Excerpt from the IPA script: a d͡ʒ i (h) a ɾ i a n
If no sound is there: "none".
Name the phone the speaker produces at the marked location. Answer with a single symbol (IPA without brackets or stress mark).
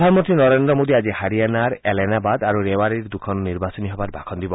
h